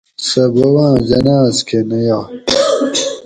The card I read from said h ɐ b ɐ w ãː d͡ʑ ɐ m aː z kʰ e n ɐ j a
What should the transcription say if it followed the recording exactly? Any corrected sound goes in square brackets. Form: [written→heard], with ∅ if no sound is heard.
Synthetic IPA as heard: [h→s] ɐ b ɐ w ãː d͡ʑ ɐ [m→n] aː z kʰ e n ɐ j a

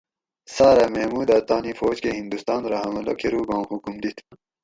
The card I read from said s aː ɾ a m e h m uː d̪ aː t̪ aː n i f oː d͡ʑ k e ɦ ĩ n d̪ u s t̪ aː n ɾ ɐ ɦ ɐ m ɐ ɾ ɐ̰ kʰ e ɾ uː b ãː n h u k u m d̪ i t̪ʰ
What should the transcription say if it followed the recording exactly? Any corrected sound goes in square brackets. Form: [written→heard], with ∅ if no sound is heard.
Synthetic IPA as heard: s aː ɾ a m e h m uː d̪ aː t̪ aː n i f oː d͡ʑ k e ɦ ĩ n d̪ u s t̪ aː n ɾ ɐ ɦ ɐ m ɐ [ɾ→l] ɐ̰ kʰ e ɾ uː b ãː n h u k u m d̪ i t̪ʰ

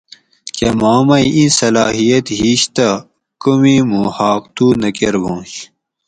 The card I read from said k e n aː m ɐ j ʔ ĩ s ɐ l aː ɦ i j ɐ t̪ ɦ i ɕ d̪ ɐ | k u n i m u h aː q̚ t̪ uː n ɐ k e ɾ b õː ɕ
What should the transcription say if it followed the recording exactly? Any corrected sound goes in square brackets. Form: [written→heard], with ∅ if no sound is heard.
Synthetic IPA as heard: k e [n→m] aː m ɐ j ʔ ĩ s ɐ l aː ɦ i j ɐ t̪ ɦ i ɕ [d̪→t̪] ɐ | k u [n→m] i m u h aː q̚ t̪ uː n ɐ k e ɾ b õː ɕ

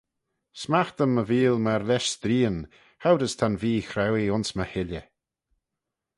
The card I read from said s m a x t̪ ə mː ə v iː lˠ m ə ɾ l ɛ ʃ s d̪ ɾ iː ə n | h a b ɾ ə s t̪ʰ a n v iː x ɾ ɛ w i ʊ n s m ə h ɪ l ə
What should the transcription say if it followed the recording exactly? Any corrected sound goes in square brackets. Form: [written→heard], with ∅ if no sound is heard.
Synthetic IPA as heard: s m a x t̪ ə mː ə v iː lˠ m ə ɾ l ɛ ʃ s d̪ ɾ iː ə n | h a [b→w] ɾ ə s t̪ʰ a n v iː x ɾ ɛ w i ʊ n s m ə h ɪ l ə

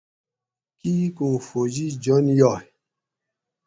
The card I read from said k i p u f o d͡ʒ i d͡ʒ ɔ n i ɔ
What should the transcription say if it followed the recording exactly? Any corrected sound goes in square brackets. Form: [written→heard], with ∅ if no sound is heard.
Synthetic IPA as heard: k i [p→k] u f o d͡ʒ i d͡ʒ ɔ n [i→j] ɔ

